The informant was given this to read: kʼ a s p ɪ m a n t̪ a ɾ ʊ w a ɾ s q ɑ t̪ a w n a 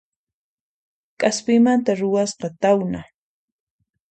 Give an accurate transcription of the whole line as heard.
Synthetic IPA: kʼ a s p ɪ m a n t̪ a ɾ ʊ w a s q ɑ t̪ a w n a